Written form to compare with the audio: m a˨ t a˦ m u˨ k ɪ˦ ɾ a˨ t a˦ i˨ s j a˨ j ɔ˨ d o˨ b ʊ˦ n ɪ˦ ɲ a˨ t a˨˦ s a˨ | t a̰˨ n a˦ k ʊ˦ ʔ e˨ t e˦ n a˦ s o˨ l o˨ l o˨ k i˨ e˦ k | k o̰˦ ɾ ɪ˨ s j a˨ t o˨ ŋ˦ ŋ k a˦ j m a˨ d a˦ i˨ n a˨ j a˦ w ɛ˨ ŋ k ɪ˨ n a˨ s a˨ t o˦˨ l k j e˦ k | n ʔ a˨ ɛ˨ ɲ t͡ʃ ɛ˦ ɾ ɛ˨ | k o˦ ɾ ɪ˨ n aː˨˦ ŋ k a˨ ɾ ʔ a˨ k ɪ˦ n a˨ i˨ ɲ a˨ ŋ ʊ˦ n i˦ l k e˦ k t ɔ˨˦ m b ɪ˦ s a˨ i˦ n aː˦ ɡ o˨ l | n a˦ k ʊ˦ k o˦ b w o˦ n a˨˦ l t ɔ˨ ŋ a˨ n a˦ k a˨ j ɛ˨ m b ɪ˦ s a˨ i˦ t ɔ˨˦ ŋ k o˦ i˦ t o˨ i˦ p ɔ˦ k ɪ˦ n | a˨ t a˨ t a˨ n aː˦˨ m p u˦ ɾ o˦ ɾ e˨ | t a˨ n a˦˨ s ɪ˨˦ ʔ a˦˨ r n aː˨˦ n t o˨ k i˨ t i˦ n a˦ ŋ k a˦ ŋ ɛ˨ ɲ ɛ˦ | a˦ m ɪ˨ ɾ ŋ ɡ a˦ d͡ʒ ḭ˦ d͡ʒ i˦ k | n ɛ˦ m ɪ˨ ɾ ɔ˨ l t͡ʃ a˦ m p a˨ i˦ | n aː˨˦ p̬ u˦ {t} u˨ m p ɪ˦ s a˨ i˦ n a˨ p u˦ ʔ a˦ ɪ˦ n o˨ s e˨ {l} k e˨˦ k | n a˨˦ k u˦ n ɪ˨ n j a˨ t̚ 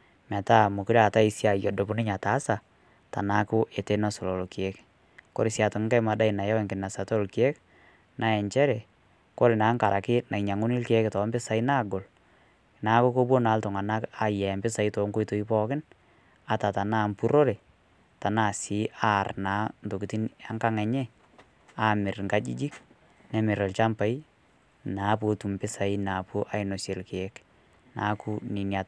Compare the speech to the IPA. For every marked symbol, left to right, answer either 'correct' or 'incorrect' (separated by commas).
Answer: correct, correct